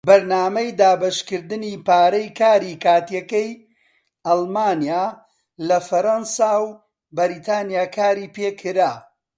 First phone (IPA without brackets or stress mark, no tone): b